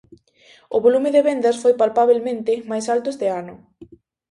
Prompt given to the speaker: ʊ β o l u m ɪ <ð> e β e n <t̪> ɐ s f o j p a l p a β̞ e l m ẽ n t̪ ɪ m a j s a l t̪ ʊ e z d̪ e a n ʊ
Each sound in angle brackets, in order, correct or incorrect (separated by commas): correct, incorrect